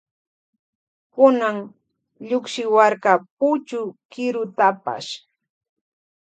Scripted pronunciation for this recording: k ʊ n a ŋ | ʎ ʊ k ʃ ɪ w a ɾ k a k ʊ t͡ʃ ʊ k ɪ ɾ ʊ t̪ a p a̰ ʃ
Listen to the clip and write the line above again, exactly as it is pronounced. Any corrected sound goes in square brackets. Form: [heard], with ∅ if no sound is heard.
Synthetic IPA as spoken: k ʊ n a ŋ | ʎ ʊ k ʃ ɪ w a ɾ k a [p] ʊ t͡ʃ ʊ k ɪ ɾ ʊ t̪ a p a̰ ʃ